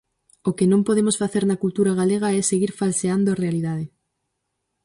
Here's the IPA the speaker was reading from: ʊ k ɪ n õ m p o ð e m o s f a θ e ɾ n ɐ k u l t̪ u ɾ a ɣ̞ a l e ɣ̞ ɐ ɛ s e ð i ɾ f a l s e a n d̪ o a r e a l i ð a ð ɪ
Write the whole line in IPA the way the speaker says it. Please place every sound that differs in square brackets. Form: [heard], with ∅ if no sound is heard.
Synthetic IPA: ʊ k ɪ n õ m p o ð e m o s f a θ e ɾ n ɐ k u l t̪ u ɾ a ɣ̞ a l e ɣ̞ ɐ ɛ s e [ɣ] i ɾ f a l s e a n d̪ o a r e a l i ð a ð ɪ